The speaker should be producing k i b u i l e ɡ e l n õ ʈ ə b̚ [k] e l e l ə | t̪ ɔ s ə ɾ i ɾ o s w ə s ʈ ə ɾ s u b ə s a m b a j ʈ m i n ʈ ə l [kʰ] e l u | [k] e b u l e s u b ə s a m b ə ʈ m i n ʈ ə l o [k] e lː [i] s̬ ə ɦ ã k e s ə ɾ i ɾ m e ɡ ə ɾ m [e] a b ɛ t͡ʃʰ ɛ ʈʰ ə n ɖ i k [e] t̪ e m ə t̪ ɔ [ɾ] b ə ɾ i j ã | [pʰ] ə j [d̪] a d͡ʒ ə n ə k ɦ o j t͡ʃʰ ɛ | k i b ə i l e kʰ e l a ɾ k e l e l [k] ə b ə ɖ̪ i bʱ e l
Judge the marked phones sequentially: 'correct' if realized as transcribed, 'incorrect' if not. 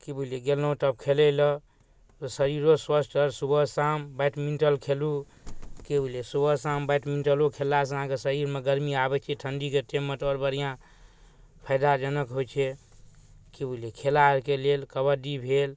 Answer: incorrect: kʰ, correct, correct, incorrect: kʰ, incorrect: a, incorrect: i, correct, correct, correct, correct, correct

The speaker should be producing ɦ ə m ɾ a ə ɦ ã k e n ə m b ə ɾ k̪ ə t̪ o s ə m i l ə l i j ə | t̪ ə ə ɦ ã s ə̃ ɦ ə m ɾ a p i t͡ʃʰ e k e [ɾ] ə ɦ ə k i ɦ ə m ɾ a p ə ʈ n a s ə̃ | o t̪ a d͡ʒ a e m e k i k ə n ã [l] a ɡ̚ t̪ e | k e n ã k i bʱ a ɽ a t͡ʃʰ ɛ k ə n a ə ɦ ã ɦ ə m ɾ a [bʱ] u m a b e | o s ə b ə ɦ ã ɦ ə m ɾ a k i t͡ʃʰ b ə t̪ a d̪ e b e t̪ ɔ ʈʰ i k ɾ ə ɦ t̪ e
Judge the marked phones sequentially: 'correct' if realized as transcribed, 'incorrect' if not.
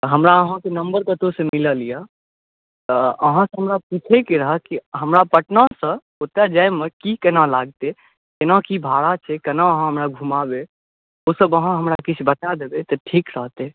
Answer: correct, correct, incorrect: ɡʱ

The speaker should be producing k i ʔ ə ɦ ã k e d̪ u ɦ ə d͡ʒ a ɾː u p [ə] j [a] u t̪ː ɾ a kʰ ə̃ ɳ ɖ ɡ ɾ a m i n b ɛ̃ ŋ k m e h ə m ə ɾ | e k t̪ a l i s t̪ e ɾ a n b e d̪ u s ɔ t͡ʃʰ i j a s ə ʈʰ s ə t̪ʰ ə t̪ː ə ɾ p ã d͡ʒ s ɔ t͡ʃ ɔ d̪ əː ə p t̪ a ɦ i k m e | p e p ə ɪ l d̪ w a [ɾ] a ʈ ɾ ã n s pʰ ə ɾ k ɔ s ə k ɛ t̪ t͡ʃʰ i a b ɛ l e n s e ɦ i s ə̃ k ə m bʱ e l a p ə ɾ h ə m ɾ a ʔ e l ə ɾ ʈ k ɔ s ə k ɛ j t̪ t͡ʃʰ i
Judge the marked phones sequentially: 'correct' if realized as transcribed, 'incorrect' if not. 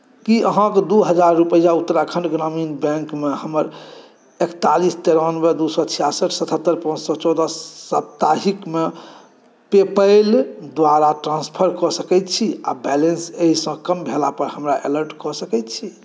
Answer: correct, correct, correct

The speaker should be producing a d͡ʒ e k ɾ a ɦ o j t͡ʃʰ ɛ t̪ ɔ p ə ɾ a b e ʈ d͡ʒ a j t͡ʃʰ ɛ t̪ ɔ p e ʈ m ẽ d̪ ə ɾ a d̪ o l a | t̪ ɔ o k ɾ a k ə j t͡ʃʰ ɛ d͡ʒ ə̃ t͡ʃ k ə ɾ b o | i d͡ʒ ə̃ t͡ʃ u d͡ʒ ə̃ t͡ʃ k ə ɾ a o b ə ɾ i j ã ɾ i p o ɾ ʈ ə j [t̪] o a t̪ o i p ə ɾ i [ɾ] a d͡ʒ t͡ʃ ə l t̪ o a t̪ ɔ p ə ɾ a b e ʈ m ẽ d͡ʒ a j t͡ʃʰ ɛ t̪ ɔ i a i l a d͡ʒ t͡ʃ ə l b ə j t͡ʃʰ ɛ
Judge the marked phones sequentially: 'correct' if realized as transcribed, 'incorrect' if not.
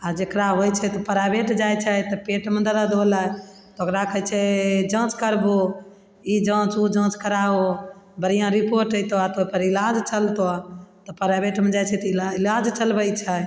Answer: correct, incorrect: l

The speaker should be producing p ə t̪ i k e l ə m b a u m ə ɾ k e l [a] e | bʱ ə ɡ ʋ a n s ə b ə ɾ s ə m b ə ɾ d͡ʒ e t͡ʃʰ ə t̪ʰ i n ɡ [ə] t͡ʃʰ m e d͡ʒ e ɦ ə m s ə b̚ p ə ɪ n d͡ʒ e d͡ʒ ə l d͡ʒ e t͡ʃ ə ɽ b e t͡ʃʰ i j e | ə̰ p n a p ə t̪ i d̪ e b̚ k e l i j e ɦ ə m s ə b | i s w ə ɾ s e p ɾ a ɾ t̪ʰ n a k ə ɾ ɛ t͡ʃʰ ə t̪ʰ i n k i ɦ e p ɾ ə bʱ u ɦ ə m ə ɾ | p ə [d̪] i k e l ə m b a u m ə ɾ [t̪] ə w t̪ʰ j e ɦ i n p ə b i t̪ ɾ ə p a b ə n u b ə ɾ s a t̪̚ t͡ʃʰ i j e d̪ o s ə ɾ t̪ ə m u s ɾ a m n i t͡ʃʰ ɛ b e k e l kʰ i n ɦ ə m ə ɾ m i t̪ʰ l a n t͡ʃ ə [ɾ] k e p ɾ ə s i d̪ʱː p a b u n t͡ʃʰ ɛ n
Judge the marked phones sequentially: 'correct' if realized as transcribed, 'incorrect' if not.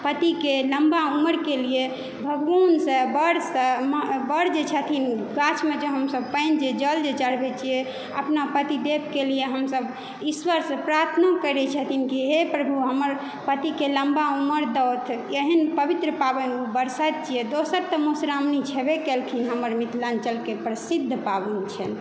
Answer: incorrect: i, incorrect: a, incorrect: t̪, incorrect: d̪, incorrect: l

